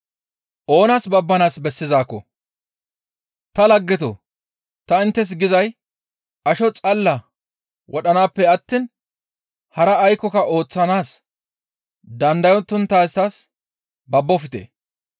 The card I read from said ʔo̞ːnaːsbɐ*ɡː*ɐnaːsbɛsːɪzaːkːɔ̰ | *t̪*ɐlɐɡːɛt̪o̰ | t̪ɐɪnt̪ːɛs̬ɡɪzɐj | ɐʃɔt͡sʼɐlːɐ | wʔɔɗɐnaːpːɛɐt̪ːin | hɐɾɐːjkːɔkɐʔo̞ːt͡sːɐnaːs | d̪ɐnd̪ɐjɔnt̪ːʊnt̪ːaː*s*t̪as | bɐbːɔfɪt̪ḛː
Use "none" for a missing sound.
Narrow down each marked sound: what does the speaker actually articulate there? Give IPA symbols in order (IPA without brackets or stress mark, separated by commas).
bː, t̪, s